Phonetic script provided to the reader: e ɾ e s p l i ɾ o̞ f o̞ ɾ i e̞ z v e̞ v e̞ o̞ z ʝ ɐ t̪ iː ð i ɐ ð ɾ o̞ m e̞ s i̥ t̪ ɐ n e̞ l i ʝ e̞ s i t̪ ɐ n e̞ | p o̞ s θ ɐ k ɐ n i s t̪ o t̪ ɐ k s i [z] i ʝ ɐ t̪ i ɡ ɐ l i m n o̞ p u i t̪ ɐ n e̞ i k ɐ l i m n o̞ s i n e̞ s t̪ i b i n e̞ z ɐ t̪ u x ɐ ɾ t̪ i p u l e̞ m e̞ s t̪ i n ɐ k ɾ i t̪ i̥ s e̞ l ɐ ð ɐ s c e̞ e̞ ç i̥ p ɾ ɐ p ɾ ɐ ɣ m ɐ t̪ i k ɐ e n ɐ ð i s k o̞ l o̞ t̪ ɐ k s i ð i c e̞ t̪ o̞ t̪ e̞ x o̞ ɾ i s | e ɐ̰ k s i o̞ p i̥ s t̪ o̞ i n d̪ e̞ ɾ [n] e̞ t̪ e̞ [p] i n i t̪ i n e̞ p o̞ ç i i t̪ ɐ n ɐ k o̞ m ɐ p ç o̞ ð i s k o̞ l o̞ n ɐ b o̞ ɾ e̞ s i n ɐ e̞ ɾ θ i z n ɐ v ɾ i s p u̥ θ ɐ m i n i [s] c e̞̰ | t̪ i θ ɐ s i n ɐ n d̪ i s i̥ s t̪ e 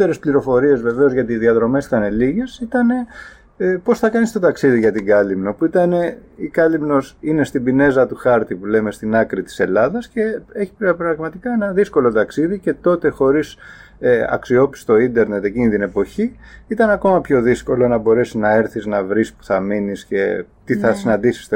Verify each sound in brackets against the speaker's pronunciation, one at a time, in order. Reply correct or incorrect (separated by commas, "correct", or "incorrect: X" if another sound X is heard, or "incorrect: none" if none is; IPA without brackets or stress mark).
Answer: incorrect: ð, correct, incorrect: c, correct